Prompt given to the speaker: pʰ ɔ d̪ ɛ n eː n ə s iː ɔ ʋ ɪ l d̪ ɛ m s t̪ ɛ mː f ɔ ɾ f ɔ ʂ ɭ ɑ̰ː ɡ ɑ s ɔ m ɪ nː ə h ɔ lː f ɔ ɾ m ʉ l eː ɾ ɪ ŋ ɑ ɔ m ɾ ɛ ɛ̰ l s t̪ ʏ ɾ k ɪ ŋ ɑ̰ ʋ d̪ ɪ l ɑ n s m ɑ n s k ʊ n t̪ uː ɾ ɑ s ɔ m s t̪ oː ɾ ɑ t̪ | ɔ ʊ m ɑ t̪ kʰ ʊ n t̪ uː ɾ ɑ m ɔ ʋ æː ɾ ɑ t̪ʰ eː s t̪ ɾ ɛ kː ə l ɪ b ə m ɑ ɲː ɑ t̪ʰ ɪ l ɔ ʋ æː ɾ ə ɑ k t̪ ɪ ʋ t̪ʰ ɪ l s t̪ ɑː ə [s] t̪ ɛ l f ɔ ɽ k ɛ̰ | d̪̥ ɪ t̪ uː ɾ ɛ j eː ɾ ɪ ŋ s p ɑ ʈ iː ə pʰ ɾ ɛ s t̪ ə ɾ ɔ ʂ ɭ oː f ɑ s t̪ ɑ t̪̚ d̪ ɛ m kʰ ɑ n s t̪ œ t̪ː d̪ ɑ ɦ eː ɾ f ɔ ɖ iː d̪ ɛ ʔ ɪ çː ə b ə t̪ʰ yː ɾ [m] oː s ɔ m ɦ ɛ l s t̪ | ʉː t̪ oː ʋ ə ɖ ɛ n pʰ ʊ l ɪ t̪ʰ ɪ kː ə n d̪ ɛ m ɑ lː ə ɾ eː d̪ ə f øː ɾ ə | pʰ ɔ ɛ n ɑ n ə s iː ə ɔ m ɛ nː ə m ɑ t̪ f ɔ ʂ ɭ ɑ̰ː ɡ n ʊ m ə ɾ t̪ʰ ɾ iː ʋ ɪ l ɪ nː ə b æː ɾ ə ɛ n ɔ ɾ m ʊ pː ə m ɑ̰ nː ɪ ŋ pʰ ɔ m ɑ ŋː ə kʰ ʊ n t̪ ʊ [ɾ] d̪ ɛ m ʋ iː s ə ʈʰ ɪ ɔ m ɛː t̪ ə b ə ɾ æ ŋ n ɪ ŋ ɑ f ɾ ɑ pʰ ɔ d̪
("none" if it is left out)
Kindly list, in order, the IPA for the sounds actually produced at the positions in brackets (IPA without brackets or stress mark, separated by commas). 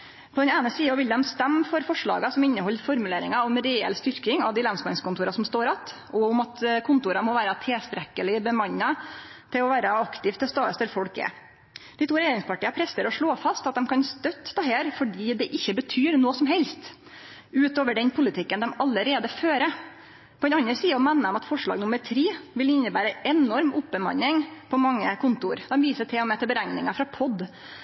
s, n, ɾ